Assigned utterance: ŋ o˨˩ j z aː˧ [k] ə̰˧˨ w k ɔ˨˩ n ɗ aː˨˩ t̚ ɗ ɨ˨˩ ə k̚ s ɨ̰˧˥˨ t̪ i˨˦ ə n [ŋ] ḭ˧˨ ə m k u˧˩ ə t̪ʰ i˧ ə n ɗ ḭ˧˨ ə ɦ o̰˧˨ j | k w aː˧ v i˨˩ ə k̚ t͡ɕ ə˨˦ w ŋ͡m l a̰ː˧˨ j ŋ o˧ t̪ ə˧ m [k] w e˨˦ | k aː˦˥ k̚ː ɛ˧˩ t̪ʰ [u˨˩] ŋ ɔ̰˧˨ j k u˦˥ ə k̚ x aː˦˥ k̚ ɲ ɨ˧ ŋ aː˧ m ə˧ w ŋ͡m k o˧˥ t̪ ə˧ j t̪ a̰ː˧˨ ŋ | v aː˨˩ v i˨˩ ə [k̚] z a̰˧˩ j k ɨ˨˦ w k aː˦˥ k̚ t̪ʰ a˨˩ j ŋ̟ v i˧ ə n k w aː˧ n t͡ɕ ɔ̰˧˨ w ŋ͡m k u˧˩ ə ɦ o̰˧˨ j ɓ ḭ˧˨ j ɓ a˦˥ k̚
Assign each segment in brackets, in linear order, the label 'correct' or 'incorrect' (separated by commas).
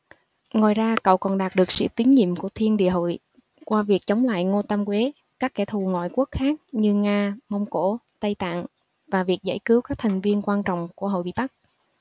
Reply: correct, incorrect, correct, correct, correct